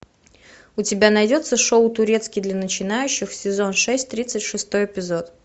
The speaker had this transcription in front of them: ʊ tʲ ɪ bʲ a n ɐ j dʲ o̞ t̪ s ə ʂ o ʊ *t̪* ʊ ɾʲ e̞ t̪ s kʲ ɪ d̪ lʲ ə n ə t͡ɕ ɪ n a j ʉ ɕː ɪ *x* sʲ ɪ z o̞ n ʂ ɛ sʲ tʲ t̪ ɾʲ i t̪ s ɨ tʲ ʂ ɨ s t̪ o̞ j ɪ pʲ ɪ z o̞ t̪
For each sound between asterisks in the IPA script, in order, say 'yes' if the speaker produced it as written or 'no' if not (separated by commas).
yes, yes